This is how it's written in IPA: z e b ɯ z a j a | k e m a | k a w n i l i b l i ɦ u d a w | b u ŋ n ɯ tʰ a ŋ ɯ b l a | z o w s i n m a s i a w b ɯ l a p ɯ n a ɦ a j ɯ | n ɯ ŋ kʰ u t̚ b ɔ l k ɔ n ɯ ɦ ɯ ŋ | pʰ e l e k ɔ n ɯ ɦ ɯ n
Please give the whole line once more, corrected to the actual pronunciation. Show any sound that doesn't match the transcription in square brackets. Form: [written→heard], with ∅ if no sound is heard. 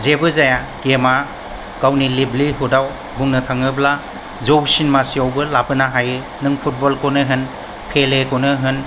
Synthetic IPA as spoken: z e b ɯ z a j a | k e m a | k a w n i l i b l i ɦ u d a w | b u ŋ n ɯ tʰ a ŋ ɯ b l a | z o w s i n m a s i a w b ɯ l a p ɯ n a ɦ a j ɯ | n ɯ ŋ [kʰ→pʰ] u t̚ b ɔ l k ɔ n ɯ ɦ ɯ [ŋ→n] | pʰ e l e k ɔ n ɯ ɦ ɯ n

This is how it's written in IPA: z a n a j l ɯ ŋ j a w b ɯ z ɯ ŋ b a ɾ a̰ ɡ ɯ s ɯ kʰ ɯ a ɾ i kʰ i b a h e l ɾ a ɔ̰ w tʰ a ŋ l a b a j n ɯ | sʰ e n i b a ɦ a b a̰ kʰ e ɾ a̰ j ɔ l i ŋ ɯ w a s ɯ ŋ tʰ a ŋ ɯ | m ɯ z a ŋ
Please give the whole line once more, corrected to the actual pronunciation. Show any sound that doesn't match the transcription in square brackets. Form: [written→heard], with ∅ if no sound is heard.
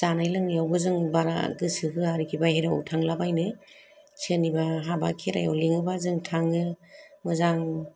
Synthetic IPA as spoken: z a n a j l ɯ ŋ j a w b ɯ z ɯ ŋ b a ɾ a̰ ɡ ɯ s ɯ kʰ ɯ a ɾ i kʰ i b a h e [l→∅] ɾ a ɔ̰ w tʰ a ŋ l a b a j n ɯ | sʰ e n i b a ɦ a b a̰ kʰ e ɾ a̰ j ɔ l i ŋ ɯ [w→b] a [s→z] ɯ ŋ tʰ a ŋ ɯ | m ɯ z a ŋ

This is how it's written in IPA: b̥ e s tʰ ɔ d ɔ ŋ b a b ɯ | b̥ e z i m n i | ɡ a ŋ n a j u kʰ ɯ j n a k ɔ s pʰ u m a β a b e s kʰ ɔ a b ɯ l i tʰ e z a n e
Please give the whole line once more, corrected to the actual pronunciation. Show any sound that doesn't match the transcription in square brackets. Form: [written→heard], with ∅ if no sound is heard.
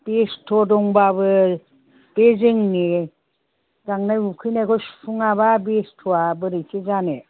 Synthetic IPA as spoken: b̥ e s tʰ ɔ d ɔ ŋ b a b ɯ | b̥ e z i [m→ŋ] n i | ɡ a ŋ n a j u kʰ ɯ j n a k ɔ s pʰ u [m→ŋ] a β a b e s [kʰ→tʰ] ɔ a b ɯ [l→ɾ] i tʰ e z a n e

